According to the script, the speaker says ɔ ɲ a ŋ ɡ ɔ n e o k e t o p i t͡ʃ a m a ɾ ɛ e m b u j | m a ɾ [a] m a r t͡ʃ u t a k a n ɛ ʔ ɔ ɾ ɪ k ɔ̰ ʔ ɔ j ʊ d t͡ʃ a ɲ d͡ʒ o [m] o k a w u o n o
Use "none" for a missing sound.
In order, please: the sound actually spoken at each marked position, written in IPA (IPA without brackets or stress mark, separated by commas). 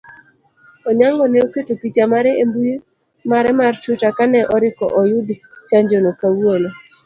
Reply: ɛ, n